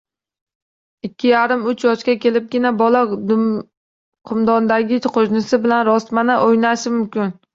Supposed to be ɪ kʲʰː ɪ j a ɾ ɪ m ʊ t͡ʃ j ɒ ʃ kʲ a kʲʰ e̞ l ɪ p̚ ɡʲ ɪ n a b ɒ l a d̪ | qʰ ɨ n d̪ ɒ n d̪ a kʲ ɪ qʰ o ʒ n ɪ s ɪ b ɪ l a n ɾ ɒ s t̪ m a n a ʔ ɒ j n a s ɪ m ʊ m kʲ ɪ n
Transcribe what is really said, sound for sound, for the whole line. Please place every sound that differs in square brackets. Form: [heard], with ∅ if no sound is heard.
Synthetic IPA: ɪ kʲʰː ɪ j a ɾ ɪ m ʊ t͡ʃ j ɒ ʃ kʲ a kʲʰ e̞ l ɪ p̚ ɡʲ ɪ n a b ɒ l a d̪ | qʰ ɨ [m] d̪ ɒ n d̪ a [ɡʲ] ɪ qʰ o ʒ n ɪ s ɪ b ɪ l a n ɾ ɒ s t̪ m a n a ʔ [o] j n a [ʃ] ɪ m ʊ m kʲ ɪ n